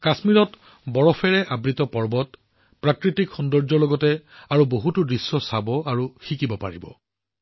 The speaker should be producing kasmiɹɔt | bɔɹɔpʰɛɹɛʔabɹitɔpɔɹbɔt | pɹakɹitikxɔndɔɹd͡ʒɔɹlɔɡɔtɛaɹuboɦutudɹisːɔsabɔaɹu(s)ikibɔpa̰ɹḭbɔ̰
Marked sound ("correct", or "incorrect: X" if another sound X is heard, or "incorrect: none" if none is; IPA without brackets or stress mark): incorrect: x